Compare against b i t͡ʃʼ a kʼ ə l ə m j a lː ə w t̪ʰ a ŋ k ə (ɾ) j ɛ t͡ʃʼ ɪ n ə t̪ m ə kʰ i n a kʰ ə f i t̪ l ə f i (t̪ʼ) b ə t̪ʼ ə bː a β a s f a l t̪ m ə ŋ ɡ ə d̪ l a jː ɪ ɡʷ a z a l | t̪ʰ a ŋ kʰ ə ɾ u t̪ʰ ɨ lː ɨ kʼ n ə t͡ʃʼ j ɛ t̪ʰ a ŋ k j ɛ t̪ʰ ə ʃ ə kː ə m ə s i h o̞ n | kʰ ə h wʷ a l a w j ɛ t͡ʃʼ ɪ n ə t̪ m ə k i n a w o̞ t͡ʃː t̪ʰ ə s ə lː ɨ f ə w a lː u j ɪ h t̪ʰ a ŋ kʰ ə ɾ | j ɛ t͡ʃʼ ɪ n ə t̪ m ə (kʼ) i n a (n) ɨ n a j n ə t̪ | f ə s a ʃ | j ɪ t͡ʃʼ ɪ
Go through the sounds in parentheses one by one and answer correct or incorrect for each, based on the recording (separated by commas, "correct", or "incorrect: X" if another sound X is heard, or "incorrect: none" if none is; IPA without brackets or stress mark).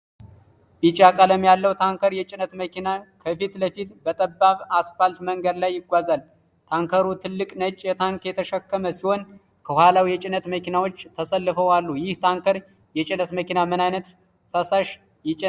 correct, incorrect: t̪, incorrect: k, incorrect: m